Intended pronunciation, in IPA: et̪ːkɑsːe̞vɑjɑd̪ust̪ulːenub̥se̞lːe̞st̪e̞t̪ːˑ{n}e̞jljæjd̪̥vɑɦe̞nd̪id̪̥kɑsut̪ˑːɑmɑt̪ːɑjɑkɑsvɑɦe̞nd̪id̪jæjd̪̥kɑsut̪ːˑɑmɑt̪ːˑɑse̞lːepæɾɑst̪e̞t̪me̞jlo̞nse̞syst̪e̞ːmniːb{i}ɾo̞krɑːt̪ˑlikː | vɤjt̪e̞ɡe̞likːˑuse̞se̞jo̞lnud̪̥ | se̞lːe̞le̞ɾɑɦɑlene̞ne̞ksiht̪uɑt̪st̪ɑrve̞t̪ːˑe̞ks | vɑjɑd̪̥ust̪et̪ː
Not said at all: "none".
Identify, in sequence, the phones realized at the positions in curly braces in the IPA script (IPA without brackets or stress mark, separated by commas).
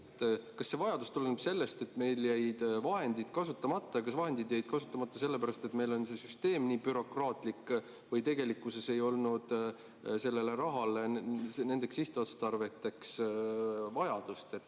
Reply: m, y